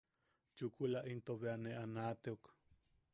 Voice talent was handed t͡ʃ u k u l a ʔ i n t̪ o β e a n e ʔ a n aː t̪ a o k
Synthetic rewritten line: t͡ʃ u k u l a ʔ i n t̪ o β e a n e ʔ a n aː t̪ e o k